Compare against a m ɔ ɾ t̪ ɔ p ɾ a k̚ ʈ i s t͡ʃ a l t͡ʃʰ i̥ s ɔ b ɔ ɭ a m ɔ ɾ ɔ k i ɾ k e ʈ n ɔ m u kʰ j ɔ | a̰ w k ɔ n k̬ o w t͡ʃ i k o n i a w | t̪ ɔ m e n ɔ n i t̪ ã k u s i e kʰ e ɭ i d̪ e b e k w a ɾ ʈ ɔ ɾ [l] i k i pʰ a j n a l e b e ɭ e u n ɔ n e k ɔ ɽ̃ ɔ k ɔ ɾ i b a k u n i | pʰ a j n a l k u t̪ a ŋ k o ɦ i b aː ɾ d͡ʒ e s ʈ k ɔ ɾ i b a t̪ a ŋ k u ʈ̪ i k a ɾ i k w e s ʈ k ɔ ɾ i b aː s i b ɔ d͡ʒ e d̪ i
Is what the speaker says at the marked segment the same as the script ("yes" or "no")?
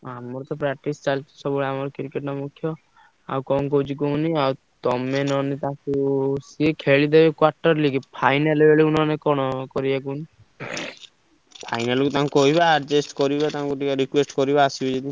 yes